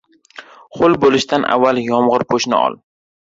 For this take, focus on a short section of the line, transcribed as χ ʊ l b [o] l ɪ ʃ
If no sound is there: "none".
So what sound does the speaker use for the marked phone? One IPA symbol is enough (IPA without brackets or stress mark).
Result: o